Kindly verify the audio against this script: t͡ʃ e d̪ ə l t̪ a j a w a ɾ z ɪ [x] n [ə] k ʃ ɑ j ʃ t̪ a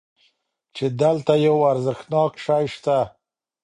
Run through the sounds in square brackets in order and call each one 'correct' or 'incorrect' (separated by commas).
correct, incorrect